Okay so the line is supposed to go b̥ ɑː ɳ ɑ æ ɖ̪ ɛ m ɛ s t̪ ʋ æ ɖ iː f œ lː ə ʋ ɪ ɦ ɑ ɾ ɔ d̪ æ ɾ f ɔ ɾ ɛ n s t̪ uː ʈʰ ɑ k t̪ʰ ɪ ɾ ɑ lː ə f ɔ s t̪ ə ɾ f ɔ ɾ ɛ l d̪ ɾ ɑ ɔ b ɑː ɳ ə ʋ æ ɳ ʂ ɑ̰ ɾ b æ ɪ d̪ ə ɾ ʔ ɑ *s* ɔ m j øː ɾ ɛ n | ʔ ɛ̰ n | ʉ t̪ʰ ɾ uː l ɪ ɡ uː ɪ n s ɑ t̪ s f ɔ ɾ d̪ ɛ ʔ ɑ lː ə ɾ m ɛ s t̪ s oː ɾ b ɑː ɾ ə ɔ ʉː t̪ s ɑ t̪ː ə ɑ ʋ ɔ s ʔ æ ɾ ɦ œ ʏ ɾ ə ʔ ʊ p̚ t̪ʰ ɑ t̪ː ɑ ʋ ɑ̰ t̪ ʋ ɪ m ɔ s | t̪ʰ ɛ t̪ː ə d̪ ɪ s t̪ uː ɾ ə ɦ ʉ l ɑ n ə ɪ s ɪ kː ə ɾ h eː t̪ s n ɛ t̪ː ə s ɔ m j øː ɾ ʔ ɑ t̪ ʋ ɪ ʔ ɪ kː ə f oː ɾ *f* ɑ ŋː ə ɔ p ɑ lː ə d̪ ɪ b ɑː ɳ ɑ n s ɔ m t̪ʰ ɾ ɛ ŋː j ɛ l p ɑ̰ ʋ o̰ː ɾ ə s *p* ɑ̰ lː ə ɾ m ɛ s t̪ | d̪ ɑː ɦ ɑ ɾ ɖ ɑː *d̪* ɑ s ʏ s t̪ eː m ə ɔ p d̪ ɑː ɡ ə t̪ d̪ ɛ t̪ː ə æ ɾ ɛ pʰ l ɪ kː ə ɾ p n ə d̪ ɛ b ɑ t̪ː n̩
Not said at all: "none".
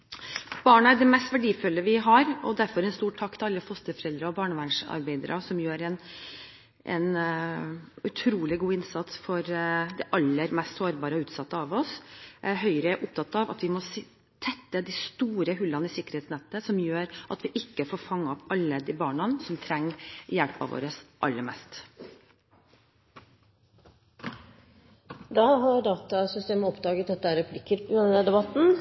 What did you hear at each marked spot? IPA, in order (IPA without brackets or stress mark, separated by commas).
s, f, ʔ, t̪